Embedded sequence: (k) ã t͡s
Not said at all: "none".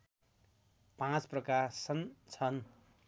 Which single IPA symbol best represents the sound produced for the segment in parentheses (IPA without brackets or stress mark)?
p